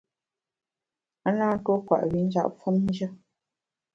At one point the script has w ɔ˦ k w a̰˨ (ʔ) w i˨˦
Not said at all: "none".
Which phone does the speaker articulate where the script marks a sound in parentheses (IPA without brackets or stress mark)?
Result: ʔ